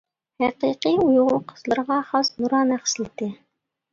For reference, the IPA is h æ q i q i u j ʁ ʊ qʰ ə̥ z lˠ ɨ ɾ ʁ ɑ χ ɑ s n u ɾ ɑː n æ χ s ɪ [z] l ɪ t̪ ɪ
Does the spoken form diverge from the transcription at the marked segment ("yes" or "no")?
yes